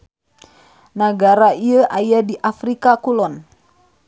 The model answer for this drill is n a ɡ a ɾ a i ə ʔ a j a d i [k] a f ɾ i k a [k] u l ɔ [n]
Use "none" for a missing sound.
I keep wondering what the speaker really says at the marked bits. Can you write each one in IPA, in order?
ʔ, k, n

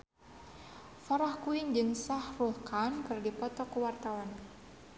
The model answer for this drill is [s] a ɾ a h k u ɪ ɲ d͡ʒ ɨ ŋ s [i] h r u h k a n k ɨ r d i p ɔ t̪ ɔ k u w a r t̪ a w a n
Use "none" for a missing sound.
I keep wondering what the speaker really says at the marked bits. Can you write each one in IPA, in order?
f, a

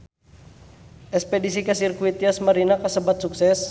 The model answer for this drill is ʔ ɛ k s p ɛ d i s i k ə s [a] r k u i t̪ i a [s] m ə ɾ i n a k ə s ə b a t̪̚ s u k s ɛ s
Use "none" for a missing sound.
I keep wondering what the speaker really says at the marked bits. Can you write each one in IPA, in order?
i, s

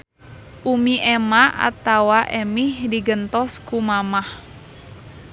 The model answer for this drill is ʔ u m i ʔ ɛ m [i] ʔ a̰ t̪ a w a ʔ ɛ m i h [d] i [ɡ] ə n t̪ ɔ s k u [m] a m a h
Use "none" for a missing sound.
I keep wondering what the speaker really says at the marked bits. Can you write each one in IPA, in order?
a, d, ɡ, m

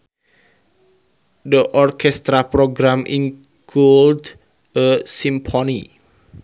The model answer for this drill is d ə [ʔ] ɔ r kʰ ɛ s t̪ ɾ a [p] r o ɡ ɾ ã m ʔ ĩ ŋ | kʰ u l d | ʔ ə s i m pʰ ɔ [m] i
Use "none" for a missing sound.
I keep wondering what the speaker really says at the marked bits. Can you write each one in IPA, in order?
ʔ, p, n

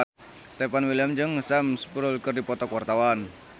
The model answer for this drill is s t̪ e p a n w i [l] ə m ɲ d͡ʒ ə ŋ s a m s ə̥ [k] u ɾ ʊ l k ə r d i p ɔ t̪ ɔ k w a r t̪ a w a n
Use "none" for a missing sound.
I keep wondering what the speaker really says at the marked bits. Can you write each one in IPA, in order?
l, p

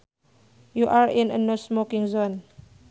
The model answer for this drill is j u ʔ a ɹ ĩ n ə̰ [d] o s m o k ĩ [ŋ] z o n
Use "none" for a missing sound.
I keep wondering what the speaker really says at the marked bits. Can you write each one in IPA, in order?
n, ŋ

